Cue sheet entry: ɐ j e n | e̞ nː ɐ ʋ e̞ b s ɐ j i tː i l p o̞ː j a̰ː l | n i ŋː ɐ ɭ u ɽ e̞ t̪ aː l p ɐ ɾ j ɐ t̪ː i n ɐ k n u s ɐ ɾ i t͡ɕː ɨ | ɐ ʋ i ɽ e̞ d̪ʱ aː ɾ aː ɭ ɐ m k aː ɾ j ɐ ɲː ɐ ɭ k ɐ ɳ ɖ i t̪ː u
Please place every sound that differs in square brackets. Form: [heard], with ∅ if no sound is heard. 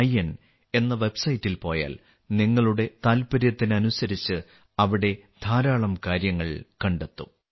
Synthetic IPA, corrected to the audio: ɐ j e n | e̞ nː ɐ ʋ e̞ b s ɐ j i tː i l p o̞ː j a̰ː l | n i ŋː ɐ ɭ u ɽ e̞ t̪ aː l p ɐ ɾ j ɐ t̪ː i n ɐ [∅] n u s ɐ ɾ i t͡ɕː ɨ | ɐ ʋ i ɽ e̞ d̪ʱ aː ɾ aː ɭ ɐ m k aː ɾ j ɐ [ŋː] ɐ ɭ k ɐ ɳ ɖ [e] t̪ː u

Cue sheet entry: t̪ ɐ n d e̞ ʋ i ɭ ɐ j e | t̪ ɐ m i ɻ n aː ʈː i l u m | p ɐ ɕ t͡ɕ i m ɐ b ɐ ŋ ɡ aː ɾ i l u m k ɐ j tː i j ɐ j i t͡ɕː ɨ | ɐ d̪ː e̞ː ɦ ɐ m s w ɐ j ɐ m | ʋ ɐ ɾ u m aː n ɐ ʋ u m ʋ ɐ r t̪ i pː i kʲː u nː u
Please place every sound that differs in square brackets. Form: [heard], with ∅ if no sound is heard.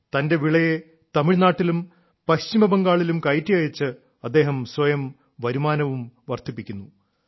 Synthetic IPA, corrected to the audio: t̪ ɐ n d e̞ ʋ i ɭ ɐ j e | t̪ ɐ m i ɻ n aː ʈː i l u m | p ɐ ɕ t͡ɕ i m ɐ b ɐ ŋ ɡ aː [ɭ] i l u m k ɐ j tː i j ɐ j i t͡ɕː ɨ | ɐ d̪ː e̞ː ɦ ɐ m s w ɐ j ɐ m | ʋ ɐ ɾ u m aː n ɐ ʋ u m ʋ ɐ r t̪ i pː i kʲː u nː u

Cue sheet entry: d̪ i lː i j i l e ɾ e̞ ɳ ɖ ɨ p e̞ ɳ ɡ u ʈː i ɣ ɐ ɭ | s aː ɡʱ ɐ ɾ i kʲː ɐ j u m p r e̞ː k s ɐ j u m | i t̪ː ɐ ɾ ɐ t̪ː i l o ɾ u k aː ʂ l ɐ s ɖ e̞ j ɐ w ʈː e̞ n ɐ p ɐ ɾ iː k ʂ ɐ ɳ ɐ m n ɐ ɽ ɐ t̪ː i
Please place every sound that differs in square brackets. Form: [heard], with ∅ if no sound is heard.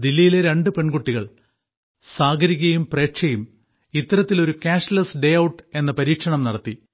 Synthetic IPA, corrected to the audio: d̪ i lː i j i l e ɾ e̞ ɳ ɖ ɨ p e̞ ɳ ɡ u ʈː i ɣ ɐ ɭ | s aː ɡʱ ɐ ɾ i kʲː ɐ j u m p r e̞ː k [ʂ] ɐ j u m | i t̪ː ɐ ɾ ɐ t̪ː i l o ɾ u k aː ʂ l ɐ s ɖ e̞ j ɐ w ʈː e̞ [nː] ɐ p ɐ ɾ iː k ʂ ɐ ɳ ɐ m n ɐ ɽ ɐ t̪ː i

